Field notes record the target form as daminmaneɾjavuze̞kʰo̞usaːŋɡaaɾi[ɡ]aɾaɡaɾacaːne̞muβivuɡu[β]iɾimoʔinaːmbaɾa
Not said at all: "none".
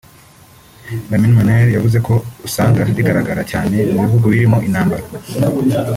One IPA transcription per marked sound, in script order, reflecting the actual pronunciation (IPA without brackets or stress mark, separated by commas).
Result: ɡ, β